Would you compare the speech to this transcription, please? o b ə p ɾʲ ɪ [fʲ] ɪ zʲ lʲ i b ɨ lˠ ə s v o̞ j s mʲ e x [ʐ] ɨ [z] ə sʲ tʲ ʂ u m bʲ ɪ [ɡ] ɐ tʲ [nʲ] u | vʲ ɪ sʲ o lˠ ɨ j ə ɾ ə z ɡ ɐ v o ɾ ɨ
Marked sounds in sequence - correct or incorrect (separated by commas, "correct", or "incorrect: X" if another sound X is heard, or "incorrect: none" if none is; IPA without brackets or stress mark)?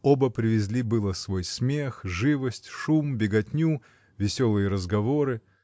incorrect: vʲ, correct, incorrect: v, correct, correct